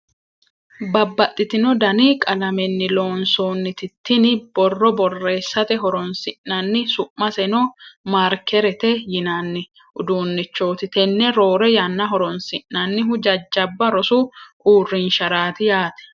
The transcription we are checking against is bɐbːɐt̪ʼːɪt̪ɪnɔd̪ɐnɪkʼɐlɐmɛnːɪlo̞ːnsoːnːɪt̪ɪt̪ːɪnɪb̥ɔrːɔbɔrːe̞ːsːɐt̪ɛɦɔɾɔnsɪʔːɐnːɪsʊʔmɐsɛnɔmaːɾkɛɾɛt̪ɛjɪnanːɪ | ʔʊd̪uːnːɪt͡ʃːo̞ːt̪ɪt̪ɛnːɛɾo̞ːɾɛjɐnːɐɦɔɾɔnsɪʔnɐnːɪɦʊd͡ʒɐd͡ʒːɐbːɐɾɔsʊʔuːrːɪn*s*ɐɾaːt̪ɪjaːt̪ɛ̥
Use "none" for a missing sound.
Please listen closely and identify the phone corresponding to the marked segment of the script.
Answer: ʃ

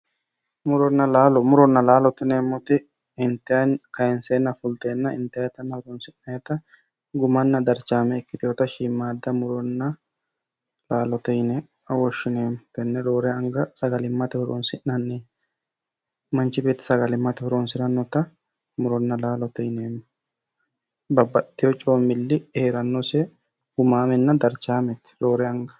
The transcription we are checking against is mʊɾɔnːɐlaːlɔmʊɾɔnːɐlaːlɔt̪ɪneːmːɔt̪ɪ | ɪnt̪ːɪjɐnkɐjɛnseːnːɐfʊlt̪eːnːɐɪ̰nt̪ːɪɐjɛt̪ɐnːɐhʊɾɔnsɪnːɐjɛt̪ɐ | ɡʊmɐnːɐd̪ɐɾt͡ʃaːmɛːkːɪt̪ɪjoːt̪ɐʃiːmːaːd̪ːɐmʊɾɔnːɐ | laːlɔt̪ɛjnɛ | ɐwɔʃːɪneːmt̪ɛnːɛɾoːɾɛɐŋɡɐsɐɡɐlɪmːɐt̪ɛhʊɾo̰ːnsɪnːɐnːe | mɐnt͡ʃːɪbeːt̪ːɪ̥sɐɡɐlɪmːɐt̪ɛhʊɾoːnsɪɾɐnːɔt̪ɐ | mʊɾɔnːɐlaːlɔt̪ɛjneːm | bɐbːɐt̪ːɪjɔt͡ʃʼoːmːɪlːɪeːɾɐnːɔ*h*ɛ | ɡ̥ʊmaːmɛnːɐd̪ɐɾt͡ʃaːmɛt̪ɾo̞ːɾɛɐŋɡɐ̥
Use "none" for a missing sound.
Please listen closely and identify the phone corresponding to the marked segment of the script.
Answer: s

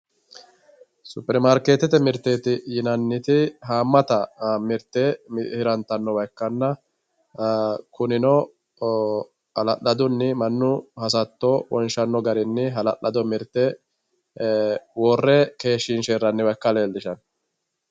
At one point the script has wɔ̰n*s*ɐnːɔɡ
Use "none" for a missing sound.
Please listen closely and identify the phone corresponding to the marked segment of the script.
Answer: ʃ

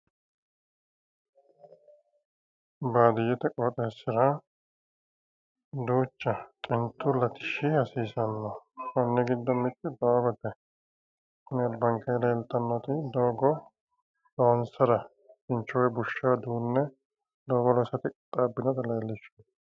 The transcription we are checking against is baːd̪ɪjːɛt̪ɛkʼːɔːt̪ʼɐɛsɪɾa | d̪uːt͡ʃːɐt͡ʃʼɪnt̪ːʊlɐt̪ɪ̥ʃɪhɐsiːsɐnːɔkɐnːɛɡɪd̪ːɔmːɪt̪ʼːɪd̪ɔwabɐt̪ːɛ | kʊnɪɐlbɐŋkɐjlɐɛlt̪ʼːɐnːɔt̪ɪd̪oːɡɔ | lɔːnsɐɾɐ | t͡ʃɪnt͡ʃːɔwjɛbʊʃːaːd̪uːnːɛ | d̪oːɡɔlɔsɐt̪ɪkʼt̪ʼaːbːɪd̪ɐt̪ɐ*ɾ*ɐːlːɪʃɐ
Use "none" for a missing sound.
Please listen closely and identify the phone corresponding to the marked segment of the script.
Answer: l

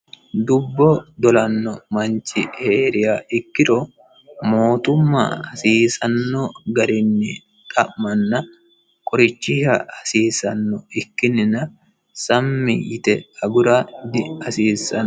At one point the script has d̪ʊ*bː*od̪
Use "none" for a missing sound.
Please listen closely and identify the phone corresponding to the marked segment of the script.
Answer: bː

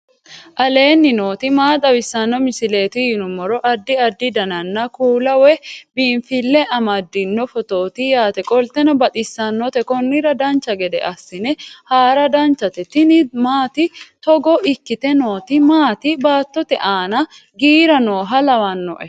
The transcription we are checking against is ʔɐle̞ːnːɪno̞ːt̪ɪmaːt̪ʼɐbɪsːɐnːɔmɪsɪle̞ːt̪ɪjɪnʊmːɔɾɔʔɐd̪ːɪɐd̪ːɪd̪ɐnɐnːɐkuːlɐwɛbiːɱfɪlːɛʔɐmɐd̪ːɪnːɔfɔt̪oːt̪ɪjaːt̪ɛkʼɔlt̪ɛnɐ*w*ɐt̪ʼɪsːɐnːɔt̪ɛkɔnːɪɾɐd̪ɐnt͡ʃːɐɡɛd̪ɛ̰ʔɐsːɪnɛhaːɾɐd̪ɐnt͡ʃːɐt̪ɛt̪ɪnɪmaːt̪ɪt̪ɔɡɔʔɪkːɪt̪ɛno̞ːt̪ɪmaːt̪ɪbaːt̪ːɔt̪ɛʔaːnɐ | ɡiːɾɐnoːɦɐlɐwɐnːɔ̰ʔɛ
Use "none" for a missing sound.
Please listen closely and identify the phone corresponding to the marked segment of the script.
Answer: b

